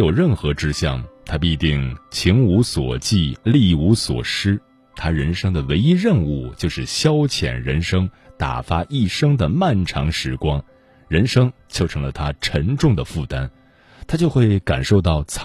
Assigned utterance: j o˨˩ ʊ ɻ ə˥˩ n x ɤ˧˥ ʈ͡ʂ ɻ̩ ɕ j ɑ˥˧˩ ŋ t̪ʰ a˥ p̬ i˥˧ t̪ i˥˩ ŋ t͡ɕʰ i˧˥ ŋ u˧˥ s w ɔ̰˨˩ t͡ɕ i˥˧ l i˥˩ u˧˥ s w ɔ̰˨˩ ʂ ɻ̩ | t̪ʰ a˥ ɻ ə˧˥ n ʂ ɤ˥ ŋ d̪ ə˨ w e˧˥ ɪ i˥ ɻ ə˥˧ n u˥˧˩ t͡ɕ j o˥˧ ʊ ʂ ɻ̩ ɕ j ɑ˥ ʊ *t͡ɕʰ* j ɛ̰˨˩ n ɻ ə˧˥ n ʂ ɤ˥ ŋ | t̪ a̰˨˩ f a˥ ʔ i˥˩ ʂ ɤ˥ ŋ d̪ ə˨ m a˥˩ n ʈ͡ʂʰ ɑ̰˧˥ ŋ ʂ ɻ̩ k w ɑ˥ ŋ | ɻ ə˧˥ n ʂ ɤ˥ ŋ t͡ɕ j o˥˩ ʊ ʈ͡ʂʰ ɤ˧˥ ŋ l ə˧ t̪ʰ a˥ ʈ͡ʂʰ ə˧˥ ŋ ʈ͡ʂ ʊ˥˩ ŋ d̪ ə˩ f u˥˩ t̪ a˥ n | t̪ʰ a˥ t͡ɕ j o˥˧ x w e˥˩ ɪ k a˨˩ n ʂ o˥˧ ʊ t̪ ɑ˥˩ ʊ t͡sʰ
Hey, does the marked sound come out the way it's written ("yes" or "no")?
yes